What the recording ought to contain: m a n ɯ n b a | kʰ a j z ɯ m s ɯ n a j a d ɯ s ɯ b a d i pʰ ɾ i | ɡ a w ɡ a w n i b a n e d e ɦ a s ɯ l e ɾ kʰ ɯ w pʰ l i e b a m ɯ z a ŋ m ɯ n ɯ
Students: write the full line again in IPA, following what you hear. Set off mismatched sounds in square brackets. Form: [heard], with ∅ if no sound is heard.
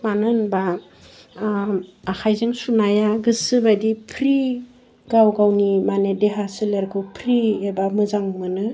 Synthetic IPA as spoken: m a n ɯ n b a | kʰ a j z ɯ [ŋ] s [u] n a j a [ɡ] ɯ s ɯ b a d i pʰ ɾ i | ɡ a w ɡ a w n i [m] a n e d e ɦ a s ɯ l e ɾ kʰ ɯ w pʰ [ɾ] i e b a m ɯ z a ŋ m ɯ n ɯ